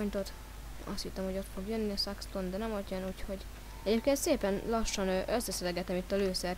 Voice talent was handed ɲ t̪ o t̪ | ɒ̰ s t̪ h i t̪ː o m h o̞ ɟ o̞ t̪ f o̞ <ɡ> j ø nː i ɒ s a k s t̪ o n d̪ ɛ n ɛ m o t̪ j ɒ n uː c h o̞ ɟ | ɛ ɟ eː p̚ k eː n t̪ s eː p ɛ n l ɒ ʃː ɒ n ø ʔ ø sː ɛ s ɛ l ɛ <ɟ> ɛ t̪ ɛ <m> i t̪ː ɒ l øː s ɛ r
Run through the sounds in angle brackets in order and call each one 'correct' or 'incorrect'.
correct, incorrect: ɡ, correct

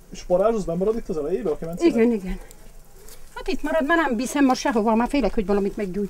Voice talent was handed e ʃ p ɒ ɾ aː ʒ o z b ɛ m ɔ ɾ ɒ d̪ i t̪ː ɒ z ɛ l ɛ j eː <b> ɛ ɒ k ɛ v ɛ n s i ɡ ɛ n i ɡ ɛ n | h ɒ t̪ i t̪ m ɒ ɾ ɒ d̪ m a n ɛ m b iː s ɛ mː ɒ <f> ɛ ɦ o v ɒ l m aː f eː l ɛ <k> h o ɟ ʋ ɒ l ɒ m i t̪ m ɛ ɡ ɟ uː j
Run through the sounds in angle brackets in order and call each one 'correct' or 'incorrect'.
correct, incorrect: ʃ, correct

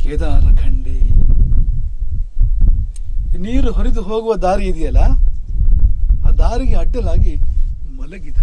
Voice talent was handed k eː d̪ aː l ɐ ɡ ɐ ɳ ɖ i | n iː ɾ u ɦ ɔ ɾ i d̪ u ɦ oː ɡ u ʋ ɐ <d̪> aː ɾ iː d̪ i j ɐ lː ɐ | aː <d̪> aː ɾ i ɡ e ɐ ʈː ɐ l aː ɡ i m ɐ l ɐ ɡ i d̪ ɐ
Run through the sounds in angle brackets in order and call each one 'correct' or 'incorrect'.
correct, correct

